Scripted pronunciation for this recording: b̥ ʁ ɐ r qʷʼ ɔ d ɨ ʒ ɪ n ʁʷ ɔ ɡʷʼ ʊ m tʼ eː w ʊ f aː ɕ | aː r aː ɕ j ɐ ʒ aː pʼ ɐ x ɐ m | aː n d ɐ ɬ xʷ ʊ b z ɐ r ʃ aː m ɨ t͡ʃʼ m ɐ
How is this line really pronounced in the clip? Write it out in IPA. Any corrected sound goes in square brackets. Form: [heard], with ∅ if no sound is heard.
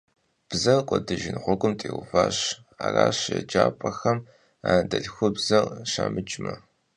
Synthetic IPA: b̥ [z] ɐ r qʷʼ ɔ d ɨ ʒ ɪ n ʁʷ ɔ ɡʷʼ ʊ m tʼ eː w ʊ f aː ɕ | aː r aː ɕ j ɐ [d͡ʒ] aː pʼ ɐ x ɐ m | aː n d ɐ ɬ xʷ ʊ b z ɐ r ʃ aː m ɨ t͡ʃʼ m ɐ